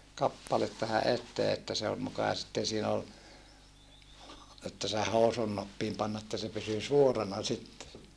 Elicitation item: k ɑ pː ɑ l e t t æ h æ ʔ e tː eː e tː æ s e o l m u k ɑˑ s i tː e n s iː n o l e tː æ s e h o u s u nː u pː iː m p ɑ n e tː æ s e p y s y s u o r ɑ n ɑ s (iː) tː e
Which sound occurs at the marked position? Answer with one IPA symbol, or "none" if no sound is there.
i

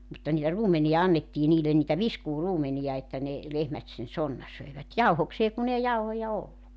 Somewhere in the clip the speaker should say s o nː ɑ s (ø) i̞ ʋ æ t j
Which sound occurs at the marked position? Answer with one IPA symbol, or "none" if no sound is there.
ø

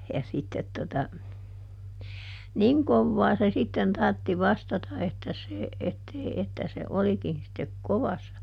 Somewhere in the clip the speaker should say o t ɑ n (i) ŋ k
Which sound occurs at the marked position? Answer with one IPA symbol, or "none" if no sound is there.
i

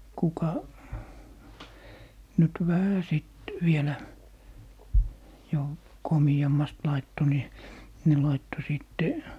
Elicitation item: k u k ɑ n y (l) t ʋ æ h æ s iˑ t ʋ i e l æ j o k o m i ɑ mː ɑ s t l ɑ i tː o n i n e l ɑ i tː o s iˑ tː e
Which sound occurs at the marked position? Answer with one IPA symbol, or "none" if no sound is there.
none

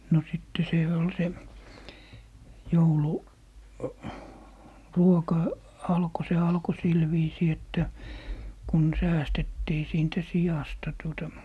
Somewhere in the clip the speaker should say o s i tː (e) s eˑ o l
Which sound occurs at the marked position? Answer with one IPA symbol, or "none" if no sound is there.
e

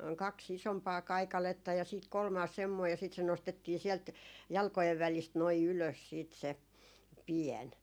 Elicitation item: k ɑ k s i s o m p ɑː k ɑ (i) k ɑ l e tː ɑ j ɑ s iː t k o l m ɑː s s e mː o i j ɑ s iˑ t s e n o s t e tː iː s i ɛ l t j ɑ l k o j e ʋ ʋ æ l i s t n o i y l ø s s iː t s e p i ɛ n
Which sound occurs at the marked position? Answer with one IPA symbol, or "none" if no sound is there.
i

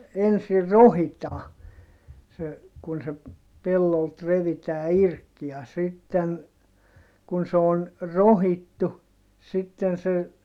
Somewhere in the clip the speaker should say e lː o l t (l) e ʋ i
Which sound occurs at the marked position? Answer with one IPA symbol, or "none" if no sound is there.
r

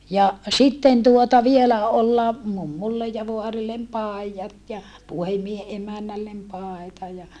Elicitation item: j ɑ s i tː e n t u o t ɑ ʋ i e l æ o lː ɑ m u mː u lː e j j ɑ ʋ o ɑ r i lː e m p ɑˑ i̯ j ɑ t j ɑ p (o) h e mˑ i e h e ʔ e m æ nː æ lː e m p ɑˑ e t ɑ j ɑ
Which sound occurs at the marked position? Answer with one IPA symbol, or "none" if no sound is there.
u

